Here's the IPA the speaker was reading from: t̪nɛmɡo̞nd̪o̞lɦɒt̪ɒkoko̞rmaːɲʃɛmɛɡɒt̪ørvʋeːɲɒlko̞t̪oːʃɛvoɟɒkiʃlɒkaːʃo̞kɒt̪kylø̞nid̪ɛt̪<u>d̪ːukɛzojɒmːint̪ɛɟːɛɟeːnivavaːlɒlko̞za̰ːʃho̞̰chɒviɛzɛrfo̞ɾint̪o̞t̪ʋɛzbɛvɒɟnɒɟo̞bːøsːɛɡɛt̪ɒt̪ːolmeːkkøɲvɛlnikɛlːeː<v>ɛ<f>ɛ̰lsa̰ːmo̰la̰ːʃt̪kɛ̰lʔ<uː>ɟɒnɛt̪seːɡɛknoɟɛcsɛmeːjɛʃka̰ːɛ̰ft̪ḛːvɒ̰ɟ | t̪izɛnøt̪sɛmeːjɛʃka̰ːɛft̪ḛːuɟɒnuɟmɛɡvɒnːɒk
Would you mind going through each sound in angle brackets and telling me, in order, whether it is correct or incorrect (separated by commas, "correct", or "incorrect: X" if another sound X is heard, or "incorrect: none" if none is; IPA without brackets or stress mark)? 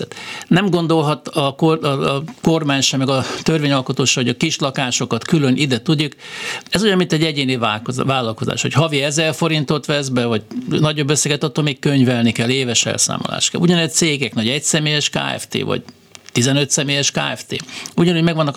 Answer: correct, correct, incorrect: ʃ, incorrect: u